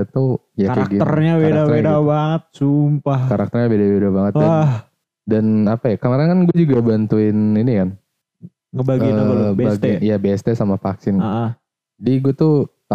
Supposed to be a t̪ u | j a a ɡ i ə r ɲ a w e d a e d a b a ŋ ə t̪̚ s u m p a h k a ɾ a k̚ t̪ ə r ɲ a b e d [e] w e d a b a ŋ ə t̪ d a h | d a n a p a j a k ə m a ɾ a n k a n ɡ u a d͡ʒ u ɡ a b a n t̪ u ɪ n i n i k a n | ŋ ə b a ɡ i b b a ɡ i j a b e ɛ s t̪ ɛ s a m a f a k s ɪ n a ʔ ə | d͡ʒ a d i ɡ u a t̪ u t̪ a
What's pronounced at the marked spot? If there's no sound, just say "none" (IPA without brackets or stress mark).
a